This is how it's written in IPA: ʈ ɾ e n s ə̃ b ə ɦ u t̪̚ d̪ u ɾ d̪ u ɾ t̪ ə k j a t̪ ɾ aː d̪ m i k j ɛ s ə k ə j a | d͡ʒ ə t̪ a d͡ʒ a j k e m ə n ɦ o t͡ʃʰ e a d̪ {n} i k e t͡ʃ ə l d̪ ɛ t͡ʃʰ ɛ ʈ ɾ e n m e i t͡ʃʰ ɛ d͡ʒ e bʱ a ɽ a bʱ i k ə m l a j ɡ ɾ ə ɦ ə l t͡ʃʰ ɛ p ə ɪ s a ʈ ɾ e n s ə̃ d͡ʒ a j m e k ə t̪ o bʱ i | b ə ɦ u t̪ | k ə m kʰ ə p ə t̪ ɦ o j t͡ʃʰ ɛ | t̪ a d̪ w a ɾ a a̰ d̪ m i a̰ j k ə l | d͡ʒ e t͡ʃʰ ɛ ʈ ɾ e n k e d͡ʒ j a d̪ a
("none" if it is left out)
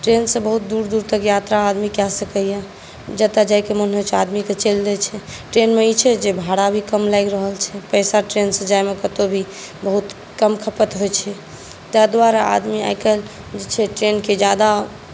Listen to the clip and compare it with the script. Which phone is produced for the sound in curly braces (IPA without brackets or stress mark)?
m